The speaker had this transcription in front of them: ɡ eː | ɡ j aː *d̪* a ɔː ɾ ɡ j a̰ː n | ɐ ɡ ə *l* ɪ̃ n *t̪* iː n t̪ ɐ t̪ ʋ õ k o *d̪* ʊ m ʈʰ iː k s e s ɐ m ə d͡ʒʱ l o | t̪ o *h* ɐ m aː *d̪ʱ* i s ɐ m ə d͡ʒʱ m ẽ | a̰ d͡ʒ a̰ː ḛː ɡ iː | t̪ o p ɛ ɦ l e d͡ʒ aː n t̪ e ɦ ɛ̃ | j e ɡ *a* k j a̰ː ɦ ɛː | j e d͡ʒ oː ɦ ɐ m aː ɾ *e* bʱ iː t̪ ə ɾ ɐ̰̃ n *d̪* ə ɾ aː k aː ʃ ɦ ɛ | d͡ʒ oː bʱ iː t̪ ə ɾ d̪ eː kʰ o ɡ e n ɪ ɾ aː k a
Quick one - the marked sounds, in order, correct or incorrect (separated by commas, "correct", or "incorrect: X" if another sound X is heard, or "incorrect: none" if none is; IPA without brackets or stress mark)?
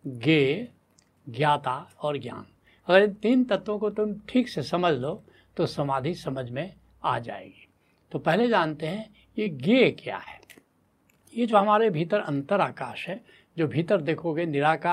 incorrect: t̪, incorrect: ɾ, correct, incorrect: t̪, incorrect: s, correct, incorrect: e, correct, incorrect: t̪